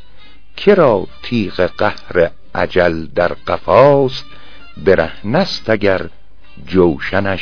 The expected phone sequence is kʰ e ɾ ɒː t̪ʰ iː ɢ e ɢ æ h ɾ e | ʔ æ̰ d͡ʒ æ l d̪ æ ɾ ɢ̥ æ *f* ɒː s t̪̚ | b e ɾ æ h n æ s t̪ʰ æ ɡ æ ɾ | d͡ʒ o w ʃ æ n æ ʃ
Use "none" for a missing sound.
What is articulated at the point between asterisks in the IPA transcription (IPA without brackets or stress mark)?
f